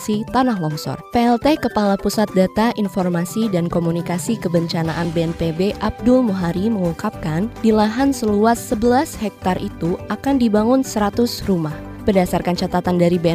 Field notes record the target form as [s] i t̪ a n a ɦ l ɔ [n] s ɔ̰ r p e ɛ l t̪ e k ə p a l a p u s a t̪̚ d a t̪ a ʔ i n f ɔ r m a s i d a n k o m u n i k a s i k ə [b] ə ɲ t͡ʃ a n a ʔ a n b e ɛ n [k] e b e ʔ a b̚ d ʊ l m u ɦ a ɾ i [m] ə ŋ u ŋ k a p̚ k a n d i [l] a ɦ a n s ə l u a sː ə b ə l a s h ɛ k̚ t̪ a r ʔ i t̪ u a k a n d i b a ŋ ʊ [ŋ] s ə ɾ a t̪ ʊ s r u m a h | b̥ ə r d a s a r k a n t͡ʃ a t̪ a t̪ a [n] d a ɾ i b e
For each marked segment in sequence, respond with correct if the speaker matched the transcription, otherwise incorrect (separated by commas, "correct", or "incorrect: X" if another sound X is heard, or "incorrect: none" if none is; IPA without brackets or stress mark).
correct, incorrect: ŋ, correct, incorrect: p, correct, correct, incorrect: n, correct